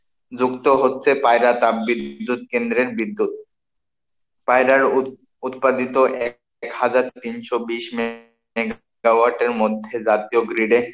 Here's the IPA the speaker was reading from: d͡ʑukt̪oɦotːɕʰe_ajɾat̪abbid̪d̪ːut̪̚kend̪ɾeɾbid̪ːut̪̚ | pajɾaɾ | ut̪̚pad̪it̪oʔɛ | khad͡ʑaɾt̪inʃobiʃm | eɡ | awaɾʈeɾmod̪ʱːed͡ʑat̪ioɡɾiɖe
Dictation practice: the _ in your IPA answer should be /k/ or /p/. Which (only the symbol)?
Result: p